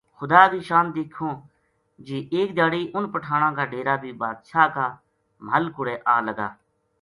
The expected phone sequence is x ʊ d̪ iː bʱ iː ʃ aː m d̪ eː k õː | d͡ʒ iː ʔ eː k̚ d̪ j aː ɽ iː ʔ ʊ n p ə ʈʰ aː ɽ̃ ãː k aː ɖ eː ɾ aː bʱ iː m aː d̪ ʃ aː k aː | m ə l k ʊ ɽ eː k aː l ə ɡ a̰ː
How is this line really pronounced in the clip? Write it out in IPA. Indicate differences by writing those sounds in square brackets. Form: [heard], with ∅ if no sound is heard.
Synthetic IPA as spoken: x ʊ d̪ [aː] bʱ iː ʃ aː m d̪ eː [kʰ] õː | d͡ʒ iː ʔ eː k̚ d̪ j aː ɽ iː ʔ ʊ n p ə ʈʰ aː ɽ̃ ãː k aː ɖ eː ɾ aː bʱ iː [b] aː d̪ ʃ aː k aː | m ə l k ʊ ɽ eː [ʔ] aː l ə ɡ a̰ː